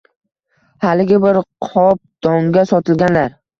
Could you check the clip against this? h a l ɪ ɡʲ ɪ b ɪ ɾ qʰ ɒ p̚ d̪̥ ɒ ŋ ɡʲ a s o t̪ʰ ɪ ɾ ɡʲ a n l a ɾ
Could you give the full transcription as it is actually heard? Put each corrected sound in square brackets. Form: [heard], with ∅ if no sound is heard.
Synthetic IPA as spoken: h a l ɪ ɡʲ ɪ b ɪ ɾ qʰ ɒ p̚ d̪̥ ɒ ŋ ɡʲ a s [ɒ] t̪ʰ ɪ [l] ɡʲ a n l a ɾ